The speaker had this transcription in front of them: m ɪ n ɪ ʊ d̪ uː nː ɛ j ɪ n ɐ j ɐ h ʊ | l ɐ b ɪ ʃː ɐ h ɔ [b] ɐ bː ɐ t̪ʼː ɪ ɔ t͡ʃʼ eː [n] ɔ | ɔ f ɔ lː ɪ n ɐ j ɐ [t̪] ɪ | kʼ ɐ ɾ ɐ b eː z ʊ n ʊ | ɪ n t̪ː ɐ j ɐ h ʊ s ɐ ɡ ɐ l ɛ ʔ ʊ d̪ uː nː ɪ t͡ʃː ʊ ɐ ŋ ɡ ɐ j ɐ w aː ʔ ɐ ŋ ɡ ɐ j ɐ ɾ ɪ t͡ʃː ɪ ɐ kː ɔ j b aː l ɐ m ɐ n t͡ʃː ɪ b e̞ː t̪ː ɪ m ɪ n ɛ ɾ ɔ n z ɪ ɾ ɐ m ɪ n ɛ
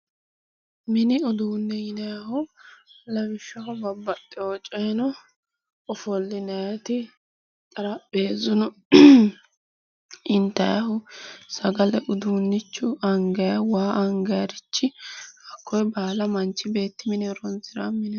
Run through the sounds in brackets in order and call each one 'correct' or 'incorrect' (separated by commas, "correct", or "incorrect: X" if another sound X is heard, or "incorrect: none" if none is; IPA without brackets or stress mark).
correct, correct, correct